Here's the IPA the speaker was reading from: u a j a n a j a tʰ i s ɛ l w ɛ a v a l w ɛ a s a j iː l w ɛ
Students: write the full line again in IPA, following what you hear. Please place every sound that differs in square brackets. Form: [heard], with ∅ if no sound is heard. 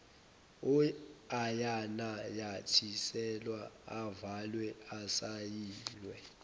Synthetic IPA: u a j a n a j a tʰ i s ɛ l w [a] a v a l w ɛ a s a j iː l w ɛ